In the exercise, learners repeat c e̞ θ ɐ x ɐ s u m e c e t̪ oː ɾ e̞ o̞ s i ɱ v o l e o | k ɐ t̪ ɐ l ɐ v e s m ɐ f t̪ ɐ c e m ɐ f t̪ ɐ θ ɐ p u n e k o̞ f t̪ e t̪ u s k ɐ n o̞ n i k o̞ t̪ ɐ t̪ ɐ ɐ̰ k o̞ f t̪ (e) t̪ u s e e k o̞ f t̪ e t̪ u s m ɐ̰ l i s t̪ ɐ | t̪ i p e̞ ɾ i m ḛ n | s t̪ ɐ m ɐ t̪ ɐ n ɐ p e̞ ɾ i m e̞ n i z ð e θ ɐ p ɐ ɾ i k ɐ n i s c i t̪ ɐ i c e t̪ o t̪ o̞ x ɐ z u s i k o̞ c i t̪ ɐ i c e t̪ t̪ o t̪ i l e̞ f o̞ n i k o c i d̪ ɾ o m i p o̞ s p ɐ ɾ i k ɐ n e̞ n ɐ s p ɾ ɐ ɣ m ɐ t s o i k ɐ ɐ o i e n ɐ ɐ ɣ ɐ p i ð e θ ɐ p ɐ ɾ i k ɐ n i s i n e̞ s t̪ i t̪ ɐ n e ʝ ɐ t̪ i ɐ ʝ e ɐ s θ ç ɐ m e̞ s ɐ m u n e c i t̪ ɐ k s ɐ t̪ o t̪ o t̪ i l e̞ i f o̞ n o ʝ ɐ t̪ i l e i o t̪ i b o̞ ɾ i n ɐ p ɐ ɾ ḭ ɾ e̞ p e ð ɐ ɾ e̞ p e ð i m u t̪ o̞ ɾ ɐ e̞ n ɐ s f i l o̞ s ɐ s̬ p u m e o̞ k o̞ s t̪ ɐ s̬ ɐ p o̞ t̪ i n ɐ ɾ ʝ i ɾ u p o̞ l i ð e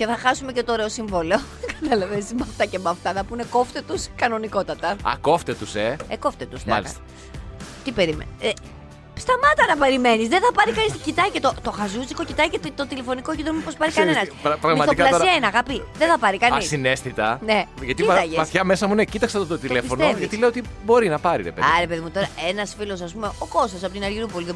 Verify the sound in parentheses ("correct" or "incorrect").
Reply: correct